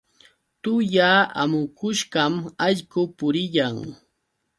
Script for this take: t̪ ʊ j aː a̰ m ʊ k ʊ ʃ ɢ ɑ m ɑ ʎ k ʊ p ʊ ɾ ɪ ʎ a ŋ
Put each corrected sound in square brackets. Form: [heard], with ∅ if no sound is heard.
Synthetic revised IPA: t̪ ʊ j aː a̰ m ʊ k ʊ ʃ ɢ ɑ m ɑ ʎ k ʊ p ʊ ɾ ɪ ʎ a ŋ

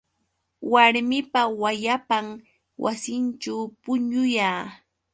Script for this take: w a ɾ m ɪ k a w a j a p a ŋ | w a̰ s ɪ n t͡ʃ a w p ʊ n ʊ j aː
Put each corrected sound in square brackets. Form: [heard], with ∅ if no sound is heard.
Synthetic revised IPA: w a ɾ m ɪ [p] a w a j a p a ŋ | w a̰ s ɪ n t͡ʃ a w p ʊ [ɲ] ʊ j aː

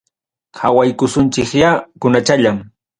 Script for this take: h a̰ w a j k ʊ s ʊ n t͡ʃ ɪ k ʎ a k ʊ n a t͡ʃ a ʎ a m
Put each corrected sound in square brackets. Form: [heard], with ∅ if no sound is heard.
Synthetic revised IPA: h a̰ w a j k ʊ s ʊ n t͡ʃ ɪ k [j] a k ʊ n a t͡ʃ a ʎ a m

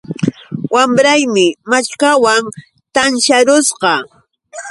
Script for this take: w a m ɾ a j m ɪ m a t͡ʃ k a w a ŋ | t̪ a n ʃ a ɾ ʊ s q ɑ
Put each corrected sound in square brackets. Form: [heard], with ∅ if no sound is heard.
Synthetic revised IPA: w a m ɾ a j m ɪ m a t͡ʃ k a w a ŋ | t̪ a n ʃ a ɾ ʊ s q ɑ

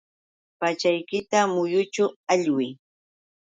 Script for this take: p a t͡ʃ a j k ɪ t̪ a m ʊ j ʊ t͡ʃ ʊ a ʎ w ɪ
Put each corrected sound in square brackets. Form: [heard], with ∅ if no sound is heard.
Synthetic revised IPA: p a t͡ʃ a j k ɪ t̪ a m ʊ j ʊ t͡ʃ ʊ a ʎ w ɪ

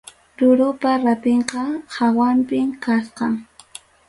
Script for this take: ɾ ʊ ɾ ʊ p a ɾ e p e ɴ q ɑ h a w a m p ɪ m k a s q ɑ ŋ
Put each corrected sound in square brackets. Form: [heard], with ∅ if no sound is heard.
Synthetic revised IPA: ɾ ʊ ɾ ʊ p a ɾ [a] p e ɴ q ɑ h a w a m p ɪ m k a s q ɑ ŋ

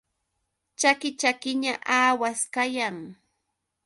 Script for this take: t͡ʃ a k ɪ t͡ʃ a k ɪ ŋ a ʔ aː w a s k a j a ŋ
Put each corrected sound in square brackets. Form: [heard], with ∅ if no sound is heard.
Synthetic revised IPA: t͡ʃ a k ɪ t͡ʃ a k ɪ [ɲ] a ʔ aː w a s k a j a ŋ

